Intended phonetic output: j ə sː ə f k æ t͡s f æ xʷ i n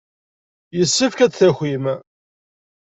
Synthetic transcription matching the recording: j ə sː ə f k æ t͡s θ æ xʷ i m